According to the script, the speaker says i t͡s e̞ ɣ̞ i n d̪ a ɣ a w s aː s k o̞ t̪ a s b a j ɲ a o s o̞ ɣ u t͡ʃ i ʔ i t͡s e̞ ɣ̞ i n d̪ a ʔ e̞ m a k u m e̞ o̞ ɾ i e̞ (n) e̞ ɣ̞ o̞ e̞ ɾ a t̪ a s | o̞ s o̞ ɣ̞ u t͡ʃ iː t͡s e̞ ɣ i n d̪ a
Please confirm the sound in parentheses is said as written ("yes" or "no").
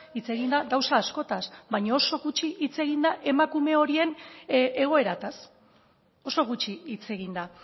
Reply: yes